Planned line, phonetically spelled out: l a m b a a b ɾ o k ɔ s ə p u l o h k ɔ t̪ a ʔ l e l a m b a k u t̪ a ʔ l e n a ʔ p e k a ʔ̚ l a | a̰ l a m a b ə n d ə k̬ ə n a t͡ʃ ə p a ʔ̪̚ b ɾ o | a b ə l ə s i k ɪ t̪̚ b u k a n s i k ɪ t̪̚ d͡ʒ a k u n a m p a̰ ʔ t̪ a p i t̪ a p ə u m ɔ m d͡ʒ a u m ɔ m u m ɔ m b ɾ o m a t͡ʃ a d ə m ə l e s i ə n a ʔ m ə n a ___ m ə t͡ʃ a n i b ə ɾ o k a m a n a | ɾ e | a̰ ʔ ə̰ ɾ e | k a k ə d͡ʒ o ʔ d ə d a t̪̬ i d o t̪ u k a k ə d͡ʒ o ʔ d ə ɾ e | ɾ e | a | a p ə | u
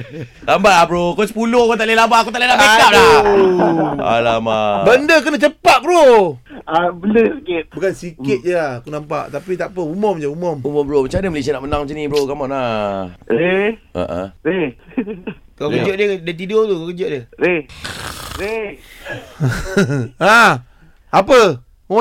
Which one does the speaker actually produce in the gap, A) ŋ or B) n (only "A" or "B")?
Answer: A